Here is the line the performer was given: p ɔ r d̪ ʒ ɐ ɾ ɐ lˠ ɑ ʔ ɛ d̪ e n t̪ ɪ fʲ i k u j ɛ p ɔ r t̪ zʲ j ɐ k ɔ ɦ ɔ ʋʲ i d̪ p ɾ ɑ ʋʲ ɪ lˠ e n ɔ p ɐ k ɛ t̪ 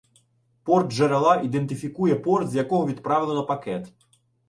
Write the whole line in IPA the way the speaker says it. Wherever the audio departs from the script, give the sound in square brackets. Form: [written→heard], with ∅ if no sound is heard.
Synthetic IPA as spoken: p ɔ r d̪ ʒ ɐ ɾ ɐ lˠ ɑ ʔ [ɛ→i] d̪ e n t̪ ɪ fʲ i k u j ɛ p ɔ r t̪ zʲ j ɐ k ɔ ɦ ɔ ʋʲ i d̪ p ɾ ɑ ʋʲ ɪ lˠ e n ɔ p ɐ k ɛ t̪